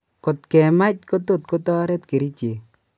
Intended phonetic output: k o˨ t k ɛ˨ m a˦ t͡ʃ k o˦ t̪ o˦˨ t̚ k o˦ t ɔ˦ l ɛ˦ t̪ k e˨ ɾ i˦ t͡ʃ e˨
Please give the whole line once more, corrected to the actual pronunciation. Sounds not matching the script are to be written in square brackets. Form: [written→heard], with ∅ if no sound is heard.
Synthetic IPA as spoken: k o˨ t k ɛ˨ m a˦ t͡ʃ k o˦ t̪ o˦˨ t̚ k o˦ t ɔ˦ [l→ɾ] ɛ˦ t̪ k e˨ ɾ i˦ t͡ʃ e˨